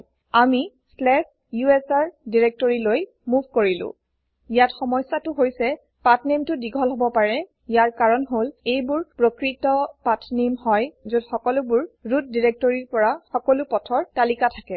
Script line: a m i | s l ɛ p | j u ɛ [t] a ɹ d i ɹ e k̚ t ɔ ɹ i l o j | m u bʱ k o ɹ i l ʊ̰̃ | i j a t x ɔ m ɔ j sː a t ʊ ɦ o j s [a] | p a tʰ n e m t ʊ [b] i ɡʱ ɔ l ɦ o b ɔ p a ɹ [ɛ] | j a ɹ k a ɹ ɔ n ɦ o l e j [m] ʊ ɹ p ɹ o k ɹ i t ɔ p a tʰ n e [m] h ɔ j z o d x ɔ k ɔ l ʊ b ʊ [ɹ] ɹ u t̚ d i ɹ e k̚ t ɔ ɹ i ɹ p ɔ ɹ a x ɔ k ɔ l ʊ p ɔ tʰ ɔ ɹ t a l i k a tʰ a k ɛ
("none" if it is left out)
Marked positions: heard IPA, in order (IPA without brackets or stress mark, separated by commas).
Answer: s, ɛ, d, ɛ, b, m, ɹ